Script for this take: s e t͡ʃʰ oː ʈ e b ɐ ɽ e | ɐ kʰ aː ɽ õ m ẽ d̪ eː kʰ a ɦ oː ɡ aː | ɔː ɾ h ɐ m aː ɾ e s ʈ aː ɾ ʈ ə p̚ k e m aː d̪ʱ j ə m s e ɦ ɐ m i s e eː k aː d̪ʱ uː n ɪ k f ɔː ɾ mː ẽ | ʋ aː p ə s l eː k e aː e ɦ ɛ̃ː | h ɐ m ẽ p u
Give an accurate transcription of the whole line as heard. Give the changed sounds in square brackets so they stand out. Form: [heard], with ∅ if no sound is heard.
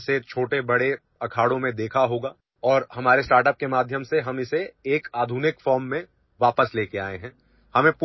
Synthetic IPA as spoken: s e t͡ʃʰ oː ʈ e b ɐ ɽ e | ɐ kʰ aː ɽ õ m ẽ d̪ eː kʰ a ɦ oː ɡ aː | ɔː ɾ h ɐ m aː ɾ e s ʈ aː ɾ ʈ ə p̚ k e m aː d̪ʱ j ə m s e ɦ ɐ m [ɪ] s e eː k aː d̪ʱ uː n ɪ k f ɔː ɾ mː ẽ | ʋ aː p ə s l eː k e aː e ɦ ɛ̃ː | h ɐ m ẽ p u

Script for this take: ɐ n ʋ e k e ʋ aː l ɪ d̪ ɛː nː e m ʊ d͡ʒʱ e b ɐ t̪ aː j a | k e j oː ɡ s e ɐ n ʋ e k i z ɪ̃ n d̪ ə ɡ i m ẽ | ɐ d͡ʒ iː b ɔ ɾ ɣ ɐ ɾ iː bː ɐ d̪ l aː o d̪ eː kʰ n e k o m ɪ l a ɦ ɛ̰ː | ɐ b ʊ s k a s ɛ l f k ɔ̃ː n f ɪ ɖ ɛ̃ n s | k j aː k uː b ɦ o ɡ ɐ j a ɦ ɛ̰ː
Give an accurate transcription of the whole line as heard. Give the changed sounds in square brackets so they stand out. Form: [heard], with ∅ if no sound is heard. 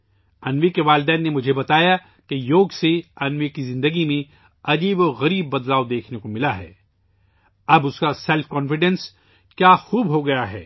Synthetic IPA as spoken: ɐ n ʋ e k e ʋ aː l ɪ d̪ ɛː nː e m ʊ d͡ʒʱ e b ɐ t̪ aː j a | k e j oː ɡ s e ɐ n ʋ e k i z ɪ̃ n d̪ ə ɡ i m ẽ | ɐ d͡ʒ iː b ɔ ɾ ɣ ɐ ɾ iː bː ɐ d̪ l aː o d̪ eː kʰ n e k o m ɪ l a ɦ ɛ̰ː | ɐ b ʊ s k a s ɛ l f k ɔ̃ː n f ɪ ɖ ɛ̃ n s | k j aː [x] uː b ɦ o ɡ ɐ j a ɦ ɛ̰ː

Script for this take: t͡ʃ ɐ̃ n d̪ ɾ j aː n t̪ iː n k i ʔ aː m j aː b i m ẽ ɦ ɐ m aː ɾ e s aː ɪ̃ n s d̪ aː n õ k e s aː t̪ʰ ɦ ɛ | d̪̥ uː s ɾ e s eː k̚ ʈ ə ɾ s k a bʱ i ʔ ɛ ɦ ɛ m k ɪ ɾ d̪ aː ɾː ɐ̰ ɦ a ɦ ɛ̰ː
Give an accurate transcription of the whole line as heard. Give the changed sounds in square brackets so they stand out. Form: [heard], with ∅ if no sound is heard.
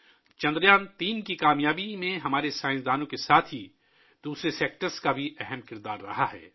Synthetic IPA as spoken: t͡ʃ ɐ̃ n d̪ ɾ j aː n t̪ iː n k i [k] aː m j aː b i m ẽ ɦ ɐ m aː ɾ e s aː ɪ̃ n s d̪ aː n õ k e s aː t̪ʰ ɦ [i] | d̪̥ uː s ɾ e s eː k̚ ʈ ə ɾ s k a bʱ i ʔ ɛ ɦ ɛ m k ɪ ɾ d̪ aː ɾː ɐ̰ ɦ a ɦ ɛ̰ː

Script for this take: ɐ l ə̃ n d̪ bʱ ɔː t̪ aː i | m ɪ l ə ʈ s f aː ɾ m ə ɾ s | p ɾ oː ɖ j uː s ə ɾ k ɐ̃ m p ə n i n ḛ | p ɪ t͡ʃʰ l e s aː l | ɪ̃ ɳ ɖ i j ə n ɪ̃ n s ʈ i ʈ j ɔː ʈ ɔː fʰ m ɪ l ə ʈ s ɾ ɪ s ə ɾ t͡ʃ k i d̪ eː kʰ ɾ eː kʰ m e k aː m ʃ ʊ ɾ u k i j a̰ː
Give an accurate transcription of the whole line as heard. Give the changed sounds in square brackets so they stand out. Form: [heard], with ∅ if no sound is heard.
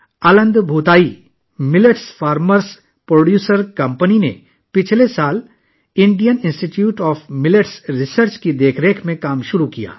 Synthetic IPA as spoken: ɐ l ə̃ n d̪ bʱ [uː] t̪ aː i | m ɪ l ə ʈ s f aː ɾ m ə ɾ s | p ɾ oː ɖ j uː s ə ɾ k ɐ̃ m p ə n i n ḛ | p ɪ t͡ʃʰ l e s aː l | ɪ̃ ɳ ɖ i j ə n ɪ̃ n s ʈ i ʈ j [uː] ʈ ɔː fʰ m ɪ l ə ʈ s ɾ ɪ s ə ɾ t͡ʃ k i d̪ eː kʰ ɾ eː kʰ m [ẽ] k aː m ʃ ʊ ɾ u k i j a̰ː

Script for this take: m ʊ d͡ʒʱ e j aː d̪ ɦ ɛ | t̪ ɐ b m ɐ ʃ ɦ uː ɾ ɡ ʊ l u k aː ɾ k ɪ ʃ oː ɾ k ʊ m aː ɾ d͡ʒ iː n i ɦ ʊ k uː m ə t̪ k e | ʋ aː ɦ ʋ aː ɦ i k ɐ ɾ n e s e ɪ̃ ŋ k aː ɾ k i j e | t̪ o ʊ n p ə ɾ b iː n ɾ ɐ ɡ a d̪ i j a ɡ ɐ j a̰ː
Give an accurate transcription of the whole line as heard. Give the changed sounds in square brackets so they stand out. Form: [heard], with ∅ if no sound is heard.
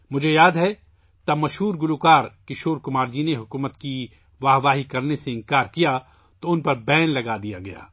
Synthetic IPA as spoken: m ʊ d͡ʒʱ e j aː d̪ ɦ ɛ | t̪ ɐ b m ɐ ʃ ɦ uː ɾ ɡ ʊ l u k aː ɾ k ɪ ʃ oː ɾ k ʊ m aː ɾ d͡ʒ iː n [e] ɦ ʊ k uː m ə t̪ k [i] | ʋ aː ɦ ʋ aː ɦ i k ɐ ɾ n e s e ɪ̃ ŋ k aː ɾ k i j [a] | t̪ o ʊ n p [ɐ] ɾ b [ɛː] n [l] ɐ ɡ a d̪ i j a ɡ ɐ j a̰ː

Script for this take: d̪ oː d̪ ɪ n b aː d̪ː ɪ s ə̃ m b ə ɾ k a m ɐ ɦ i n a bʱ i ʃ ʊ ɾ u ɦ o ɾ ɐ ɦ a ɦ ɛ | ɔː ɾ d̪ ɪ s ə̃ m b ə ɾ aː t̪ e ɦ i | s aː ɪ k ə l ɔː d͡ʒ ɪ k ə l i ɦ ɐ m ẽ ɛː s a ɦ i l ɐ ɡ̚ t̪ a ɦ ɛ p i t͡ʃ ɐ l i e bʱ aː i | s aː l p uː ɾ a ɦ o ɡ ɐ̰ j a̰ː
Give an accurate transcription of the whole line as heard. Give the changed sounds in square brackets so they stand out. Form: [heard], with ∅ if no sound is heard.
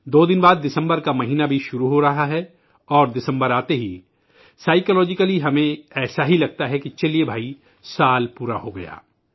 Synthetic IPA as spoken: d̪ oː d̪ ɪ n b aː d̪ː ɪ s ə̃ m b ə ɾ k a m ɐ ɦ [iː] n a bʱ i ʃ ʊ ɾ u ɦ o ɾ ɐ ɦ a ɦ ɛ | ɔː ɾ d̪ ɪ s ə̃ m b ə ɾ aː t̪ e ɦ i | s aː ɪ k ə l ɔː d͡ʒ ɪ k ə l i ɦ ɐ m ẽ ɛː s a ɦ i l ɐ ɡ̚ t̪ a ɦ ɛ [k] i t͡ʃ ɐ l i e bʱ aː i | s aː l p uː ɾ a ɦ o ɡ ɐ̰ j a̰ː

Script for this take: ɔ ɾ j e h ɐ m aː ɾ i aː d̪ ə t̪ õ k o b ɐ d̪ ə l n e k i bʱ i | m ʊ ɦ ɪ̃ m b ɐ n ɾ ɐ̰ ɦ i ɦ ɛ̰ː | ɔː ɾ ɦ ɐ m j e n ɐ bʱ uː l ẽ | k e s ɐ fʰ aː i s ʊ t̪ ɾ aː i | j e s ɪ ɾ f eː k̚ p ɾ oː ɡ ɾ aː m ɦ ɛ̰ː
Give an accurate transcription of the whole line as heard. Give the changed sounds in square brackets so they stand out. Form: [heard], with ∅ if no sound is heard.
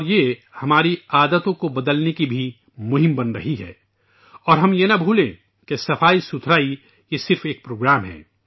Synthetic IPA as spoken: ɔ ɾ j e h ɐ m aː ɾ i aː d̪ ə t̪ õ k o b ɐ d̪ ə l n e k i bʱ i | m ʊ ɦ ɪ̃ m b ɐ n ɾ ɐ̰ ɦ i ɦ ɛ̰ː | ɔː ɾ ɦ ɐ m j e n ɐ bʱ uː l ẽ | k e s ɐ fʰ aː i s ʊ [t̪ʰ] ɾ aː i | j e s ɪ ɾ f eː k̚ p ɾ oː ɡ ɾ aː m ɦ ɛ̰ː

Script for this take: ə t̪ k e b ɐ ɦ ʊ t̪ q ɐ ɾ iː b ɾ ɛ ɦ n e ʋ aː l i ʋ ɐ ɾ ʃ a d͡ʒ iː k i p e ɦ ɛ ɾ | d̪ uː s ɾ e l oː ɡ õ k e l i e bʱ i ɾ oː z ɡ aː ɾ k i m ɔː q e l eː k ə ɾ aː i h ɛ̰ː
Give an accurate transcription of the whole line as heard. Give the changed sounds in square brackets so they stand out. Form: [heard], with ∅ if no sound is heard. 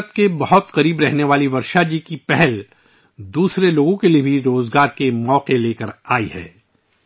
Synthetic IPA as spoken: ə t̪ k e b ɐ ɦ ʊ t̪ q ɐ ɾ iː b ɾ ɛ ɦ n e ʋ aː l i ʋ ɐ ɾ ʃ a d͡ʒ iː k i p [ɛ] ɦ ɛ [l] | d̪ uː s ɾ e l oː ɡ õ k e l i e bʱ i ɾ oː z ɡ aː ɾ k [e] m ɔː q e l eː k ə ɾ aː i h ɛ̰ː

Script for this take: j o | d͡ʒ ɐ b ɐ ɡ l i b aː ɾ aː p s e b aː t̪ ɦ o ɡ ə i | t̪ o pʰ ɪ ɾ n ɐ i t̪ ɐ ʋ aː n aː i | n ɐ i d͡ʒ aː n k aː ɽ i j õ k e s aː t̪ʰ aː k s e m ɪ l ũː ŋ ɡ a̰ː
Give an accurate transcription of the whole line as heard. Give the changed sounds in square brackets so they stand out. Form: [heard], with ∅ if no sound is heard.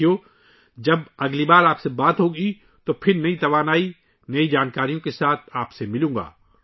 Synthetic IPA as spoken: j o | d͡ʒ ɐ b ɐ ɡ l i b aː ɾ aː p s e b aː t̪ ɦ o ɡ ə i | t̪ o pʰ ɪ ɾ n ɐ i t̪ ɐ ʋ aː n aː i | n ɐ i d͡ʒ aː n k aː [ɾ] i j õ k e s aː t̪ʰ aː [p] s e m ɪ l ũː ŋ ɡ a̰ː

